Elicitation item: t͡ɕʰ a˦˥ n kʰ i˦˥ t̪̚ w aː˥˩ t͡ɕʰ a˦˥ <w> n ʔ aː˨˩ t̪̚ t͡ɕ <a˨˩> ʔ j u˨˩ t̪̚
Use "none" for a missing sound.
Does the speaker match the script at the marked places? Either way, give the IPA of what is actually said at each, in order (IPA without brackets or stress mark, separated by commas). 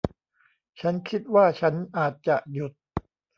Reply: none, a˨˩